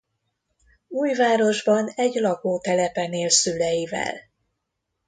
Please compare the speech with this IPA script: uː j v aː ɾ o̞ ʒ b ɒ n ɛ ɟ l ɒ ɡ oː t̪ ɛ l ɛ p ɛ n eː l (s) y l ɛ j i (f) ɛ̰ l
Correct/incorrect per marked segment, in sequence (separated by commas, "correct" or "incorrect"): correct, incorrect